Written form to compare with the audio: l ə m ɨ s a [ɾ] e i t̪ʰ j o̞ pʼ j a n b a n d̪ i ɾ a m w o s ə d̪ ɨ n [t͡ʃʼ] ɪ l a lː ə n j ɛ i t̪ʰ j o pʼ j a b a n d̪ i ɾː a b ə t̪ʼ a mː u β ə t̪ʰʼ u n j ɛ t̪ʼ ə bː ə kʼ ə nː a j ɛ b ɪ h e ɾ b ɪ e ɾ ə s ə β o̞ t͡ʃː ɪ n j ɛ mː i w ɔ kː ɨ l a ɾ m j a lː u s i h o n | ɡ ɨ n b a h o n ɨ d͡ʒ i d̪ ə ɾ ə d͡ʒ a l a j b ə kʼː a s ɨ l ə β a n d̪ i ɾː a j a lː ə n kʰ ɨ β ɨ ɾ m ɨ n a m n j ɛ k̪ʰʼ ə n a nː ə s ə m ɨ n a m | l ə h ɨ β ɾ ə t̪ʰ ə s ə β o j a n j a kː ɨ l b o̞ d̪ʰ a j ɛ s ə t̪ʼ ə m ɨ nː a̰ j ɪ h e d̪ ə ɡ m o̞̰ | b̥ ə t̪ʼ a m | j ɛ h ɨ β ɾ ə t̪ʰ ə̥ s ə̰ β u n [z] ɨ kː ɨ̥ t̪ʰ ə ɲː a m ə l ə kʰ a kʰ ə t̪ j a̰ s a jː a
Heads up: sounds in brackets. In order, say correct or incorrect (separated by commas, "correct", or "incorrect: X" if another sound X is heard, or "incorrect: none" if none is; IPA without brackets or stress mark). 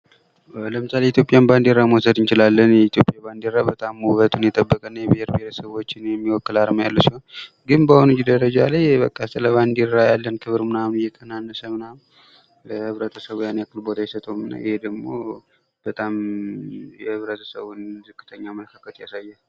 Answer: incorrect: l, incorrect: t͡ʃ, correct